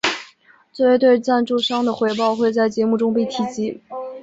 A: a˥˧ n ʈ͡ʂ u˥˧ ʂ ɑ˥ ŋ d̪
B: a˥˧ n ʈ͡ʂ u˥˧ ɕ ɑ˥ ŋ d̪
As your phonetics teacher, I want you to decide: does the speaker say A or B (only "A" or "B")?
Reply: A